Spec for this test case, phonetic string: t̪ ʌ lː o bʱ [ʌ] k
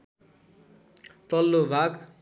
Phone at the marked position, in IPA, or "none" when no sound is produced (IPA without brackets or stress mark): a